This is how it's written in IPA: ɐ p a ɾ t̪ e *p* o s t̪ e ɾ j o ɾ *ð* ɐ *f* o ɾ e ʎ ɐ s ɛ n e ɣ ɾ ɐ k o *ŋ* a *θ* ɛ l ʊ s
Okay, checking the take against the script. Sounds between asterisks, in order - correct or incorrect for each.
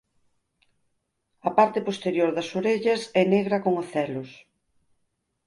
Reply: correct, correct, incorrect: s, correct, correct

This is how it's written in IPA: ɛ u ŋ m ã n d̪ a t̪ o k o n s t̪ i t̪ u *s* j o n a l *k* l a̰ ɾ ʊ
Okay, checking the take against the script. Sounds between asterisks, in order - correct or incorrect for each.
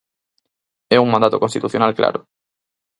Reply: incorrect: θ, correct

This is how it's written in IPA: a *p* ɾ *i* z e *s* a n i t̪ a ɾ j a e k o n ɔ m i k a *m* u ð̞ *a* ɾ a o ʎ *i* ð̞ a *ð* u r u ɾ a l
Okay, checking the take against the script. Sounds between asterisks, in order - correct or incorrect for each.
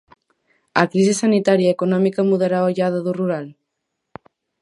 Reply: incorrect: k, correct, correct, correct, incorrect: e, incorrect: a, correct

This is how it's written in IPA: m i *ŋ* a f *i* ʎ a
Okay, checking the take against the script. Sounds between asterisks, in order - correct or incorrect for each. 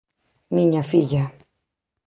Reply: incorrect: ɲ, correct

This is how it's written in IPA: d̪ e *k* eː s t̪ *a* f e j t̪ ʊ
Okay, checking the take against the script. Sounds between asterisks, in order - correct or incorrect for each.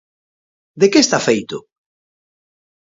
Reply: correct, correct

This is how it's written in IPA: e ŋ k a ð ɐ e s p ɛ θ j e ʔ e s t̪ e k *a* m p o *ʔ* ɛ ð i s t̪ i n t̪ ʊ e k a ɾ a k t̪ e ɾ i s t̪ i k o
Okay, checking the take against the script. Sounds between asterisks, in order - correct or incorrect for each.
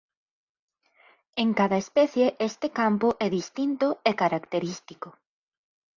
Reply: correct, correct

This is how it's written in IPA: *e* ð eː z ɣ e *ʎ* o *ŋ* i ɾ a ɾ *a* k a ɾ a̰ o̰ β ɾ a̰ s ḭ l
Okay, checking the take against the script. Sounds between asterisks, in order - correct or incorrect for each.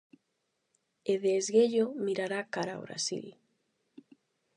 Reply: correct, correct, incorrect: m, correct

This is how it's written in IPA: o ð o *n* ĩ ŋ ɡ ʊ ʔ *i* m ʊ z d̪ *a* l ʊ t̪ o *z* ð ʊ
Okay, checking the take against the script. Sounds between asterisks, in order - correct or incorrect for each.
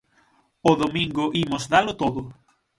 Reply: incorrect: m, correct, correct, incorrect: none

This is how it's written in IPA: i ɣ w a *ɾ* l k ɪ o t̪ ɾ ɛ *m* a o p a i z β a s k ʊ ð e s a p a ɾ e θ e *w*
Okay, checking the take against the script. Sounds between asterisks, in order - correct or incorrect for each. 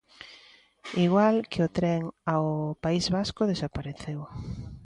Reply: incorrect: none, incorrect: ŋ, correct

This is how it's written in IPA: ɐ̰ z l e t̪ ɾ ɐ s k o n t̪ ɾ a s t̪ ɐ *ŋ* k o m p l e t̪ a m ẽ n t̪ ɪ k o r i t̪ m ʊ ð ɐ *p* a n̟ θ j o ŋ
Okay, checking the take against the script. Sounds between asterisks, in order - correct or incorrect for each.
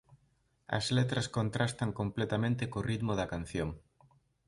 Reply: correct, incorrect: k

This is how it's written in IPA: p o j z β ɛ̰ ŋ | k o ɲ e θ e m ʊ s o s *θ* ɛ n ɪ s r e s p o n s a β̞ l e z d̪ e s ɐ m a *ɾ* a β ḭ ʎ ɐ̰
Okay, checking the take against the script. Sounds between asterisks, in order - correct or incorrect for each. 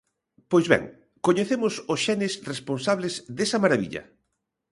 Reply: incorrect: ʃ, correct

